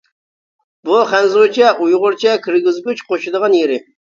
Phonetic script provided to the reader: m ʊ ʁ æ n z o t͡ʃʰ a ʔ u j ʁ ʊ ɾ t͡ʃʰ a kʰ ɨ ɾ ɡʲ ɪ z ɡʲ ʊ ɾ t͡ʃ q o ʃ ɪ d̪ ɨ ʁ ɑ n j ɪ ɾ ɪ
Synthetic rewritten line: b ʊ χ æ n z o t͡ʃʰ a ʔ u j ʁ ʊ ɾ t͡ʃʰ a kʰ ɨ ɾ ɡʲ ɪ z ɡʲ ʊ t͡ʃ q o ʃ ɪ d̪ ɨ ʁ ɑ n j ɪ ɾ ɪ